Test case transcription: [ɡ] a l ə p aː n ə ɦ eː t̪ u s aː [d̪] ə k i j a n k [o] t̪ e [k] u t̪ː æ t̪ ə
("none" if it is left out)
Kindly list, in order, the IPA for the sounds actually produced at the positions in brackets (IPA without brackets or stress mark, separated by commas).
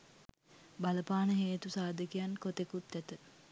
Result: b, d̪, o, k